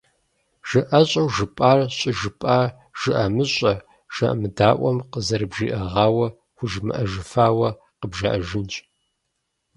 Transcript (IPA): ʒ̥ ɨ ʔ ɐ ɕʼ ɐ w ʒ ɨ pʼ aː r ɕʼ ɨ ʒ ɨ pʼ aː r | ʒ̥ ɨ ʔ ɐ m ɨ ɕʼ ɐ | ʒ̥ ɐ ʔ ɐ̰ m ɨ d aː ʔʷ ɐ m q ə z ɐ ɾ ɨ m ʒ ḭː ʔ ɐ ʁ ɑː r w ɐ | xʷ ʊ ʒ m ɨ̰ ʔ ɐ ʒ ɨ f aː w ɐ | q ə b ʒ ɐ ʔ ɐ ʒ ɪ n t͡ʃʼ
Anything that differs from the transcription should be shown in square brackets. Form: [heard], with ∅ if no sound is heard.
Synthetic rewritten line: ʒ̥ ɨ ʔ ɐ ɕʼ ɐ w ʒ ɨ pʼ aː r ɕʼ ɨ ʒ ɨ pʼ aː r | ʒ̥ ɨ ʔ ɐ m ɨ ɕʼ ɐ | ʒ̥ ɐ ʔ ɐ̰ m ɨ d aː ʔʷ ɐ m q ə z ɐ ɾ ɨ [b] ʒ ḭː ʔ ɐ ʁ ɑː [∅] w ɐ | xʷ ʊ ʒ m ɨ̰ ʔ ɐ ʒ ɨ f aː w ɐ | q ə b ʒ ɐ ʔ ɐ ʒ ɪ n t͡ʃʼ

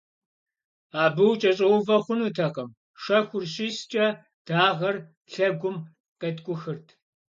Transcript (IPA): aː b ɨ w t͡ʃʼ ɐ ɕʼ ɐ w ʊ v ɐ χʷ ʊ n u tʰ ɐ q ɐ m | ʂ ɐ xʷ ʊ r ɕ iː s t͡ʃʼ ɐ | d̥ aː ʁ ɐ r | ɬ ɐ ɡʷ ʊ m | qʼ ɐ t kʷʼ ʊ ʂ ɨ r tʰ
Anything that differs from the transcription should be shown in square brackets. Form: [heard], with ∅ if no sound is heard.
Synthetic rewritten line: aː b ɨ w t͡ʃʼ ɐ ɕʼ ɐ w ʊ v ɐ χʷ ʊ n u tʰ ɐ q ɐ m | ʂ ɐ xʷ ʊ r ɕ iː s t͡ʃʼ ɐ | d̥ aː ʁ ɐ r | ɬ ɐ ɡʷ ʊ m | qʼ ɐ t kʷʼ ʊ [x] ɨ r tʰ

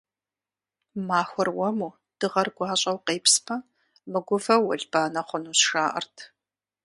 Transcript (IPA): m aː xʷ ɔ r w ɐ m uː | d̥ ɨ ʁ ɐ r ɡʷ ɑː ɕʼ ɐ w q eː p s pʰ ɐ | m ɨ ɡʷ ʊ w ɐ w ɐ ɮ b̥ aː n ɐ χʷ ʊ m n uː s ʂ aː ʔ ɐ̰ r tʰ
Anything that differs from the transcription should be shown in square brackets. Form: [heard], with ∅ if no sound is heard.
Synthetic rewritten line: m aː xʷ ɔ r w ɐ m uː | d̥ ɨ ʁ ɐ r ɡʷ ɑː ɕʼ ɐ w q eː p s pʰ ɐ | m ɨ ɡʷ ʊ [v] ɐ w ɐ ɮ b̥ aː n ɐ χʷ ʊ [∅] n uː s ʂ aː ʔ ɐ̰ r tʰ

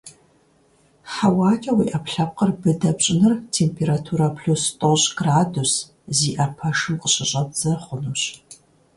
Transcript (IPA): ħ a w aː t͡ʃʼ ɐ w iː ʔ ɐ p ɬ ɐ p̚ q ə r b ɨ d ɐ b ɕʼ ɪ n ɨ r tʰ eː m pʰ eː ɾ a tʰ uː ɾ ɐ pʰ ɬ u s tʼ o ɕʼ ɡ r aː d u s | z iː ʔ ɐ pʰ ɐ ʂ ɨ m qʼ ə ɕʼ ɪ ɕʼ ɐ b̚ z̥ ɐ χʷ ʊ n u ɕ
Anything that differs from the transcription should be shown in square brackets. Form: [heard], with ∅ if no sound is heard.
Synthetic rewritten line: ħ a w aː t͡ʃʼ ɐ w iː ʔ ɐ p ɬ ɐ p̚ q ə r b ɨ d ɐ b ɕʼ ɪ n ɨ r tʰ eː m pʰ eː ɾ a tʰ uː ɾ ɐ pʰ ɬ u s tʼ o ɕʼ ɡ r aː d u s | z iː ʔ ɐ pʰ ɐ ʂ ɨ m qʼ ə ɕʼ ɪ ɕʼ ɐ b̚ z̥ ɐ χʷ ʊ n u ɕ

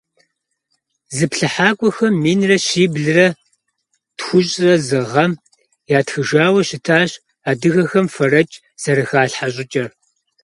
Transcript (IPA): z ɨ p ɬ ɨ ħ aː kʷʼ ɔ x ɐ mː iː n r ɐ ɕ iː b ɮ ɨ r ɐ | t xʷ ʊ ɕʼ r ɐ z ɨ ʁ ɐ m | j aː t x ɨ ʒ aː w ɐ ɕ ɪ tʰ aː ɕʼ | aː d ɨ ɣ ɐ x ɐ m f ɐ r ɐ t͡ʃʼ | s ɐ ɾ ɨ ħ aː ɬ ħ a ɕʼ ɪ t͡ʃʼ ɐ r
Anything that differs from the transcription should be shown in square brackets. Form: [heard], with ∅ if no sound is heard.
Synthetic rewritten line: z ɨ p ɬ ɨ ħ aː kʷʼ ɔ x ɐ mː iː n r ɐ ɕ iː b ɮ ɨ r ɐ | t xʷ ʊ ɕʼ r ɐ z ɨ ʁ ɐ m | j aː t x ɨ ʒ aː w ɐ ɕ ɪ tʰ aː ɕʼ | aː d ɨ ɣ ɐ x ɐ m f ɐ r ɐ t͡ʃʼ | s ɐ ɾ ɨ [x] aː ɬ ħ a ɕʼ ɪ t͡ʃʼ ɐ r

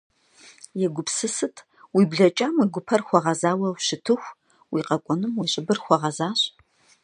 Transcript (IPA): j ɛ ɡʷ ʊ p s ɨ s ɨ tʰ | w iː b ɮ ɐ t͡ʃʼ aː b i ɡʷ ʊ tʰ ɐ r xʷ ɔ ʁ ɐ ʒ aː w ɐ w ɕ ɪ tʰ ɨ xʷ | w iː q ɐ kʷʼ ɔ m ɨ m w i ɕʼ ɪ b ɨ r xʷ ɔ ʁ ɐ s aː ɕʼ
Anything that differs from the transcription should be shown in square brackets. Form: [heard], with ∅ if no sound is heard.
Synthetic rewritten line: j ɛ ɡʷ ʊ p s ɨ s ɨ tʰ | w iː b ɮ ɐ t͡ʃʼ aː [m] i ɡʷ ʊ [pʰ] ɐ r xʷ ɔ ʁ ɐ [z] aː w ɐ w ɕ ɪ tʰ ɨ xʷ | w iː q ɐ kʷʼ ɔ [n] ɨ m w i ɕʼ ɪ b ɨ r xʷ ɔ ʁ ɐ [z] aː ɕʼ

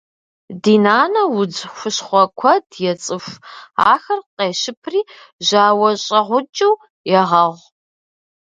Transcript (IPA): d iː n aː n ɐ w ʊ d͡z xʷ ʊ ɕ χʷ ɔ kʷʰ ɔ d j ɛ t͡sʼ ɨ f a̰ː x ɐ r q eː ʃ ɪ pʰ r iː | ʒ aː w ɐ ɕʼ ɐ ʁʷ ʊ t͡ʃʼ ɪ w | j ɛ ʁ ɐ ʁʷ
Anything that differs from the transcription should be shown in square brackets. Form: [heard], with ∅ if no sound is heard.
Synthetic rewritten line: d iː n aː n ɐ w ʊ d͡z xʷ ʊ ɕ χʷ ɔ kʷʰ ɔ d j ɛ t͡sʼ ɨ f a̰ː x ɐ r q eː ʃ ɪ pʰ r iː | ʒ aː w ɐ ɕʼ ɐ ʁʷ ʊ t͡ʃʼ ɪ w | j ɛ ʁ ɐ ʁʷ

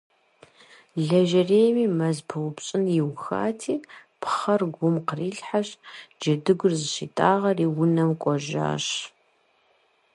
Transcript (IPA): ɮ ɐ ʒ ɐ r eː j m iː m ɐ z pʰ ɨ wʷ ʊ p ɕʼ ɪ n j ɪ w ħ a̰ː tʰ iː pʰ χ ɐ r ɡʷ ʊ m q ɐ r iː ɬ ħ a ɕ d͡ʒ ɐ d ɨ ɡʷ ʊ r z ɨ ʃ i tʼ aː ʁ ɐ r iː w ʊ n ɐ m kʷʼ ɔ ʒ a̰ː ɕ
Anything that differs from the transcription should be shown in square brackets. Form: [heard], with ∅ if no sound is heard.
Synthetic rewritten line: ɮ ɐ ʒ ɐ r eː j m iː m ɐ z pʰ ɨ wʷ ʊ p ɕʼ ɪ n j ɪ w [x] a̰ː tʰ iː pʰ χ ɐ r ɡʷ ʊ m q [ə] r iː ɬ ħ a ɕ d͡ʒ ɐ d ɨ ɡʷ ʊ r z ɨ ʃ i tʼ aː ʁ ɐ r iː w ʊ n ɐ m kʷʼ ɔ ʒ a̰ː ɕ

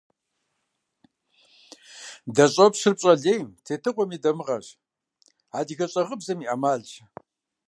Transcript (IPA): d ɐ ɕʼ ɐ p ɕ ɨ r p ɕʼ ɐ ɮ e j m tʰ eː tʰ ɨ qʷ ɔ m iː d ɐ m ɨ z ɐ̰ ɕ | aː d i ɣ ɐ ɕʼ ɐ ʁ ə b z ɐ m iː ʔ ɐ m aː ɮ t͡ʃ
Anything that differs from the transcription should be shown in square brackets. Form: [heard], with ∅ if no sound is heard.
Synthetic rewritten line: d ɐ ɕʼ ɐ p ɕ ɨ r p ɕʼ ɐ ɮ e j m tʰ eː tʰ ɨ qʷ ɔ m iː d ɐ m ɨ [ʁ] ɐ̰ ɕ | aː d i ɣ ɐ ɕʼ ɐ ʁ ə b z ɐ m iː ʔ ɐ m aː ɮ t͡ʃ

